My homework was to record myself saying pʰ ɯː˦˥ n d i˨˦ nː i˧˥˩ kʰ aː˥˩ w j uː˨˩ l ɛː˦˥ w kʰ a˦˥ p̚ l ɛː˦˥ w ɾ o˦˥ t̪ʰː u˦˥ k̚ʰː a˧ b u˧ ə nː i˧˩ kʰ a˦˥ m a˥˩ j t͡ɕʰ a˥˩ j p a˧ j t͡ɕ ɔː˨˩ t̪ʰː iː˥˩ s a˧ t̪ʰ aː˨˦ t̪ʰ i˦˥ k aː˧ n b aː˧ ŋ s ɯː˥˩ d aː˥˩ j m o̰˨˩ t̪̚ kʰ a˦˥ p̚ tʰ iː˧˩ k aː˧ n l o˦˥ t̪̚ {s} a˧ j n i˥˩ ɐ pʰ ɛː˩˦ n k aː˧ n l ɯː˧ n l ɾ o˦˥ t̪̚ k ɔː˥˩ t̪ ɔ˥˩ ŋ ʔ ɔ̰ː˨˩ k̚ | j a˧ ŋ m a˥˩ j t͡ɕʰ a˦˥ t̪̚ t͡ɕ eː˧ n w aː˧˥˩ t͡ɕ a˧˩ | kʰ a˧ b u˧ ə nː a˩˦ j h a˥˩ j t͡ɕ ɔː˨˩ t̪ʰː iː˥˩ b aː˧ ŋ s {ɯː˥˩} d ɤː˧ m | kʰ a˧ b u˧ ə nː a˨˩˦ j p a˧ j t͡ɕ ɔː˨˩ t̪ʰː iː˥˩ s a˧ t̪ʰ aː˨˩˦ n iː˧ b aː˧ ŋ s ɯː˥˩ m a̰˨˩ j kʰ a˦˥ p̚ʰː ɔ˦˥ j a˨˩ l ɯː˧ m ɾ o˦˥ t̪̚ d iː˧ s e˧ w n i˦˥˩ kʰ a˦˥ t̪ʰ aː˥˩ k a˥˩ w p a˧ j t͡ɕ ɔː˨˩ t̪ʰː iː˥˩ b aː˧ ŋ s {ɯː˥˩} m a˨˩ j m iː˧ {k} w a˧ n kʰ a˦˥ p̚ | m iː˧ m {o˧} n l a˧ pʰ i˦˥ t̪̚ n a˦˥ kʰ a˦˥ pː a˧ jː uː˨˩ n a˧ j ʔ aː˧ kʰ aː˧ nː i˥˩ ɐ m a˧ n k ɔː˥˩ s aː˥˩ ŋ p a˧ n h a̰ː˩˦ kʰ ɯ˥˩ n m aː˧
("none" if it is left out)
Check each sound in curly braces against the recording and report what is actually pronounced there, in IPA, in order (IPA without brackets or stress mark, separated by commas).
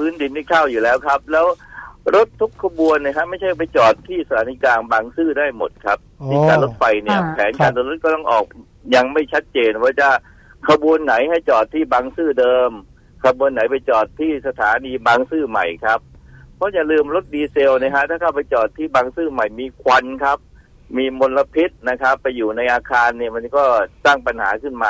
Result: f, ɯː˥˩, ɯː˥˩, kʰ, o˧